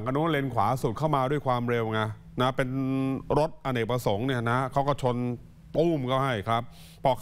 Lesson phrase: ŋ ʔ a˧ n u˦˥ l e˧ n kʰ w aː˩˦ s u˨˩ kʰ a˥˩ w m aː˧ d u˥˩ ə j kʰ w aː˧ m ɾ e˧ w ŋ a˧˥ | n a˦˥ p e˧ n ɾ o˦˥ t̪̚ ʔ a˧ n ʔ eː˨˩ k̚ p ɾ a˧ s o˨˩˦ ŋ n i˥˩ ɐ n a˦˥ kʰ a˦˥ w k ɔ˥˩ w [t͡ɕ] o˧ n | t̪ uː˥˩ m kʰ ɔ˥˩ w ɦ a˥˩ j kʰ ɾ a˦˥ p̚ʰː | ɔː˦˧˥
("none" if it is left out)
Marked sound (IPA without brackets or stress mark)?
t͡ɕʰ